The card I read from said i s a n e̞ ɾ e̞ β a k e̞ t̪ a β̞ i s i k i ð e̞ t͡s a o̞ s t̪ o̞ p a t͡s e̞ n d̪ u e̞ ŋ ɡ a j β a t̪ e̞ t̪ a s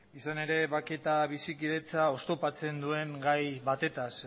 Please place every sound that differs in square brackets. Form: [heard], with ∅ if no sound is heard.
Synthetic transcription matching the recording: i s a n e̞ ɾ e̞ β a k e̞ t̪ a β̞ i s i k i ð e̞ t͡s a o̞ s t̪ o̞ p a t͡s e̞ n d̪ u e̞ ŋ ɡ a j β a t̪ e̞ t̪ a s